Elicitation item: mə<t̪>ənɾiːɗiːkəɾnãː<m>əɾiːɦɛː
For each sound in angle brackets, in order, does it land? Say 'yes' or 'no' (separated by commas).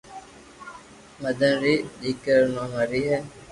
no, yes